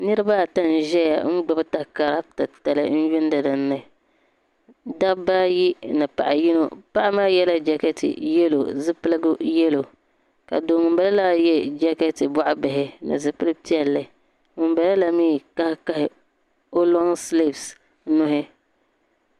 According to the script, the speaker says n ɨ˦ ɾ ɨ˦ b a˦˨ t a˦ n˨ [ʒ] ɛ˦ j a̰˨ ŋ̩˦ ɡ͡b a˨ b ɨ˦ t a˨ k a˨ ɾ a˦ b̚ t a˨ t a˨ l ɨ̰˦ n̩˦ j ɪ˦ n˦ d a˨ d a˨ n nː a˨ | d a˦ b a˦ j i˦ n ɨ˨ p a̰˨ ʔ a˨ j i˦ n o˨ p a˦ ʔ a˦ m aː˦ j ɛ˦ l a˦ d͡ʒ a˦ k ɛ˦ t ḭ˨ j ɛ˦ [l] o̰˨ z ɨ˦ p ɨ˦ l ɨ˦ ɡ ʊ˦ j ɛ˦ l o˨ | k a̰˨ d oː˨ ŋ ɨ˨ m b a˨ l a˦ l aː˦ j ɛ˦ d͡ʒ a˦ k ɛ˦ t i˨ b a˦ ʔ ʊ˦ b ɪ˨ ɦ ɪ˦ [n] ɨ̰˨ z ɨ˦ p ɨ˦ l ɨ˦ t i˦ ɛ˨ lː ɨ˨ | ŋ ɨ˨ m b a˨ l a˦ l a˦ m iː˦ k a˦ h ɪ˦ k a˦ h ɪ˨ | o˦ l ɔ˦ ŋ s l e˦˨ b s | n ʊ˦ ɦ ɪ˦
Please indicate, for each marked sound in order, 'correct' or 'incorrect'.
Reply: correct, correct, correct

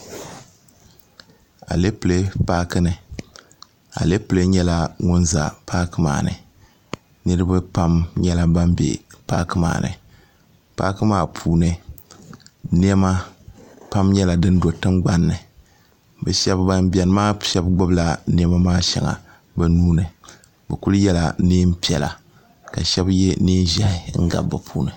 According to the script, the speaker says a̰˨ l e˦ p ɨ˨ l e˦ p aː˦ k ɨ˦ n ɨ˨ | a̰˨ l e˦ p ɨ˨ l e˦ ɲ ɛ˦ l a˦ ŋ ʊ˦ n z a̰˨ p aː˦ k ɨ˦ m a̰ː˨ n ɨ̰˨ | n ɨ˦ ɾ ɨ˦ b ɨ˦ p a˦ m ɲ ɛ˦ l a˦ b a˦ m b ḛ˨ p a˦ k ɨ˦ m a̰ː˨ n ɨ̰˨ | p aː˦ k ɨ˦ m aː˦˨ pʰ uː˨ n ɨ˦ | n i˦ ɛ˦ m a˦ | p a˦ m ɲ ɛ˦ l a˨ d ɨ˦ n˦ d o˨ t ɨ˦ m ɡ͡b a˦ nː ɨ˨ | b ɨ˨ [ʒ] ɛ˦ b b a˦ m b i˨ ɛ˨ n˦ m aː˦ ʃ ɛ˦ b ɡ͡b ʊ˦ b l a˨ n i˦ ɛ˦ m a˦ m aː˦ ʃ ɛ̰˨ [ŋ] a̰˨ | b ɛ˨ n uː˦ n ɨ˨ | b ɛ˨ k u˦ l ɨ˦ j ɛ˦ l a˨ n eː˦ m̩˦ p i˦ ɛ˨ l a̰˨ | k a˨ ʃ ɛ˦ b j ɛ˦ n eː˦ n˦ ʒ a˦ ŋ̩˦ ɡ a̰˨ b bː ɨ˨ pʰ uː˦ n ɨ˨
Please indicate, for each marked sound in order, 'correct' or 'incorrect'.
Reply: incorrect, correct

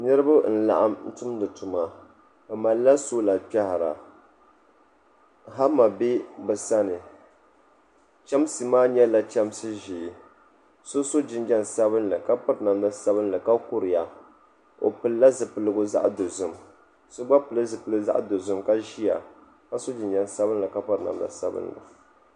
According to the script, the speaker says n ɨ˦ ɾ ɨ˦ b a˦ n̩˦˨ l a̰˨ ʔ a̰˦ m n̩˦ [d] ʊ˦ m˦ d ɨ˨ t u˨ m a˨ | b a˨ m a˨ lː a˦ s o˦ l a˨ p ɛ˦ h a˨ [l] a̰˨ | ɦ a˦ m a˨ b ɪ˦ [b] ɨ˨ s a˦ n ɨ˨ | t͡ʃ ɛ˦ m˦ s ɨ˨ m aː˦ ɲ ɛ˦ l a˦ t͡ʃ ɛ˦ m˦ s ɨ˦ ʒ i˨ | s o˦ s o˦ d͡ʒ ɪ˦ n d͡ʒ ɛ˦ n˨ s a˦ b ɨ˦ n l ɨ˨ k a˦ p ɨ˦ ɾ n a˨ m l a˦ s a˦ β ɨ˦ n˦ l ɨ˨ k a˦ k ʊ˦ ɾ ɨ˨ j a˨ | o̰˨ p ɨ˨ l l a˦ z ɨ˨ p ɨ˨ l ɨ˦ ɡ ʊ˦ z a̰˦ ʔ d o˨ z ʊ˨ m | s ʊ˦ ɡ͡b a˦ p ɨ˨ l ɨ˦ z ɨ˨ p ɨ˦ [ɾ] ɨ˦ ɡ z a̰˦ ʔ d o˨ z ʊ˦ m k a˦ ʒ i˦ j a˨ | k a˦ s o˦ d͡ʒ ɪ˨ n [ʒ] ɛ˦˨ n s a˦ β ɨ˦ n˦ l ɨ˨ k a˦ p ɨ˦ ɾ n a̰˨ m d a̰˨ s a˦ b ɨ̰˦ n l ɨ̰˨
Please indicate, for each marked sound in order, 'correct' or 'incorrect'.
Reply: incorrect, incorrect, correct, incorrect, incorrect

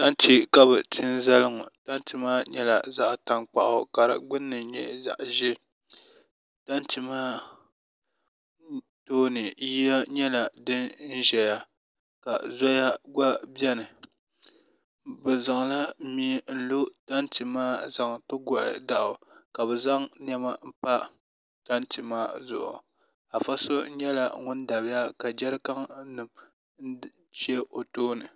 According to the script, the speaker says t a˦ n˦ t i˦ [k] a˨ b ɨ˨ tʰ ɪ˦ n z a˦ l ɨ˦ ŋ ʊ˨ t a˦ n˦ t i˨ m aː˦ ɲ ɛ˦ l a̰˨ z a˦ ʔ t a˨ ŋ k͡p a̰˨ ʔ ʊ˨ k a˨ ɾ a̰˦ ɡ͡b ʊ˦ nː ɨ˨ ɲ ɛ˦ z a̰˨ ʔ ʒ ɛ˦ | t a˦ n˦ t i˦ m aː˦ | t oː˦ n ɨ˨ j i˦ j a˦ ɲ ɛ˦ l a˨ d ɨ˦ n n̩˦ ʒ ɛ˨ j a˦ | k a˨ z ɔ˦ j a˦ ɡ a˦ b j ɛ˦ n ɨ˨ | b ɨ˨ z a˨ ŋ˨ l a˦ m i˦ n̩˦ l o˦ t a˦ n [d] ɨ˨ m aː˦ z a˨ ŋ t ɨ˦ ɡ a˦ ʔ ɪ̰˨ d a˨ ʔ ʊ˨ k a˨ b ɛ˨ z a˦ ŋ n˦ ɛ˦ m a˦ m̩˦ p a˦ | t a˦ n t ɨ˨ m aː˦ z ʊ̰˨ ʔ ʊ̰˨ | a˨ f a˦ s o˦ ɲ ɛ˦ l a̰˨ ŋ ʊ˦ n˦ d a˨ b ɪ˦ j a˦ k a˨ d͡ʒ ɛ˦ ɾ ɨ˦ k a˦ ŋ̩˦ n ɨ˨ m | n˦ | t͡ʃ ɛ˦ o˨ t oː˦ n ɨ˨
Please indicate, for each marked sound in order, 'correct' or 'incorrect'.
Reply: correct, incorrect

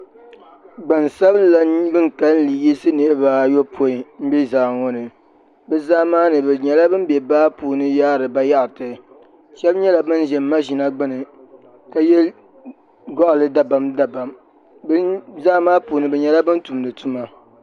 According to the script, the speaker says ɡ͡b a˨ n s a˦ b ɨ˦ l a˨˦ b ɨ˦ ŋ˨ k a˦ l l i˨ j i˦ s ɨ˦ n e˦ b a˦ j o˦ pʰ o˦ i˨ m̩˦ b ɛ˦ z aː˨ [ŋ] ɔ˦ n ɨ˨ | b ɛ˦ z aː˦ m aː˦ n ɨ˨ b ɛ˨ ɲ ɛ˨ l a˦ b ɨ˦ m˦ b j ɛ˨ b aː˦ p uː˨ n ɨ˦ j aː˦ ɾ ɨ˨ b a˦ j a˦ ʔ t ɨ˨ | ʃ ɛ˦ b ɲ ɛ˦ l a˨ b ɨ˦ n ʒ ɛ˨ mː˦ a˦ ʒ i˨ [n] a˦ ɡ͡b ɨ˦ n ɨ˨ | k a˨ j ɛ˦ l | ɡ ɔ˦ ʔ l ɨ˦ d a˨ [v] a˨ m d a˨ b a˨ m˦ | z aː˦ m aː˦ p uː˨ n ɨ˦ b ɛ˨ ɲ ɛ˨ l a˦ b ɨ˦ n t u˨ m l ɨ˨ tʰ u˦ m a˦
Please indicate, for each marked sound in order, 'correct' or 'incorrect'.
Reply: correct, correct, incorrect

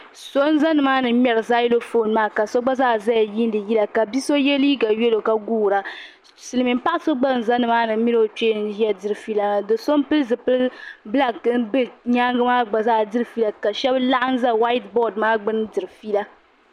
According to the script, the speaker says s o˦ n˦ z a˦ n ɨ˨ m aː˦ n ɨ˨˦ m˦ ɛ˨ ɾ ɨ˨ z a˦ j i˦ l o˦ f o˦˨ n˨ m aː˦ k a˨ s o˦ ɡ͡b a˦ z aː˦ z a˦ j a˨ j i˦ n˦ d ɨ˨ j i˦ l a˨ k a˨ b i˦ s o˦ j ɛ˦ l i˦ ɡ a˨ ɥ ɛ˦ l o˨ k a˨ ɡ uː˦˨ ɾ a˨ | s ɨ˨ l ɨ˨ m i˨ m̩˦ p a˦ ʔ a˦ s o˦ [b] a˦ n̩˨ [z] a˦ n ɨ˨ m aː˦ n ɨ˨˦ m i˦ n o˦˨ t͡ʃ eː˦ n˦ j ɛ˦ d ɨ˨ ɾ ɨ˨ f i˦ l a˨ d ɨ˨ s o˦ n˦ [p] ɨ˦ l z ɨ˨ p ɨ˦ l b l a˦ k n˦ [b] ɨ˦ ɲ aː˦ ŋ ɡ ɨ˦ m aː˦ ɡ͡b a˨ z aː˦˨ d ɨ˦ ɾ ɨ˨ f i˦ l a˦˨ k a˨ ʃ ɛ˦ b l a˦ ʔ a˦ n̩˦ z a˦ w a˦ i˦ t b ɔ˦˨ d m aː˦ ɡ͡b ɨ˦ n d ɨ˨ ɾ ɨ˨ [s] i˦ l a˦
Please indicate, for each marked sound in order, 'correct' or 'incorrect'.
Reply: incorrect, correct, correct, correct, incorrect

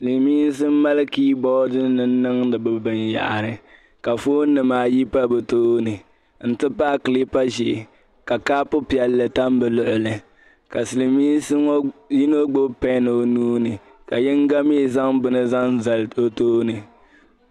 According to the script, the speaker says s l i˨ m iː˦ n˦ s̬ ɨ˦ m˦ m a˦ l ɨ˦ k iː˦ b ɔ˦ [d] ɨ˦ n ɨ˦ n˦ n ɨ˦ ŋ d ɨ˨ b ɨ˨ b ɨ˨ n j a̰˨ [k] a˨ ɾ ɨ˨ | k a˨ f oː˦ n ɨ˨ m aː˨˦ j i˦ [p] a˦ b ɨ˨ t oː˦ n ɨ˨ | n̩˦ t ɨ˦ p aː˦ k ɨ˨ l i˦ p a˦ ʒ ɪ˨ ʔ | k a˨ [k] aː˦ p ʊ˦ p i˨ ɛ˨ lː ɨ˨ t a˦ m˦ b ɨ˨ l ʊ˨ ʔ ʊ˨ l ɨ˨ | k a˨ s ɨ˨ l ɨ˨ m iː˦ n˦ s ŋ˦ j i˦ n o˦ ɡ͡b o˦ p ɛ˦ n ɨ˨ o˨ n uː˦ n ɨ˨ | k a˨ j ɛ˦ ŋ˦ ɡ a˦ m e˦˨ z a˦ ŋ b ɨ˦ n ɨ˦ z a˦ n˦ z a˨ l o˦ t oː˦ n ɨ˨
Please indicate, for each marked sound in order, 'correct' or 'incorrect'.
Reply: correct, incorrect, correct, correct

